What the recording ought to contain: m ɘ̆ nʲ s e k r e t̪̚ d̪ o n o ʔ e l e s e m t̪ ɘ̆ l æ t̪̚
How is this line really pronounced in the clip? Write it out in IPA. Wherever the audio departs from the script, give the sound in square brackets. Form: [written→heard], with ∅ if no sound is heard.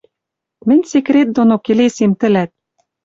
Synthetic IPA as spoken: m ɘ̆ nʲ s e k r e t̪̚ d̪ o n o [ʔ→k] e l e s e m t̪ ɘ̆ l æ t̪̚